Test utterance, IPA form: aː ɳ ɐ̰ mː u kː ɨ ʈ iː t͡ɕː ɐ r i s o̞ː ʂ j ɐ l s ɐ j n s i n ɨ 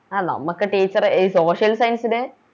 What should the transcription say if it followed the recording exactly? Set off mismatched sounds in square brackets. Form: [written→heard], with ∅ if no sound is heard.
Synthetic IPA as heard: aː [ɳ→n] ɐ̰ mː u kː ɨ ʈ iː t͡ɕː ɐ r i s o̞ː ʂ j ɐ l s ɐ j n s i n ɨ